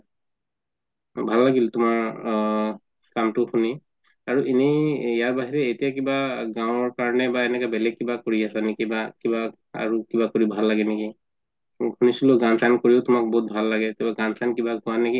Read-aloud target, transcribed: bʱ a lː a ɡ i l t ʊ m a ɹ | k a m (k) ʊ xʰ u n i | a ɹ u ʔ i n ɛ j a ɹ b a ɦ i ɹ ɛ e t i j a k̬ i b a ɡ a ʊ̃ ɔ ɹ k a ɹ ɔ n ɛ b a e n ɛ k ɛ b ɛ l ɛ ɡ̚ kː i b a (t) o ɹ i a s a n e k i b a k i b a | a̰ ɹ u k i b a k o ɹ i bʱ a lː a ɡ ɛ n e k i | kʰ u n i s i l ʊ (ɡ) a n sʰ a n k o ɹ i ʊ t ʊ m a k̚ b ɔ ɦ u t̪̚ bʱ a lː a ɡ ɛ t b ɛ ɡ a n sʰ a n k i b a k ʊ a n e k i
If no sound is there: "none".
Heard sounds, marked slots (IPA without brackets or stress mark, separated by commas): t, k, ɡ